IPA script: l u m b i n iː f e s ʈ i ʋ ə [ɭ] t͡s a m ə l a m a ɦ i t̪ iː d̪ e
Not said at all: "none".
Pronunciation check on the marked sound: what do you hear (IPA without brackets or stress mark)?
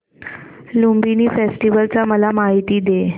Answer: l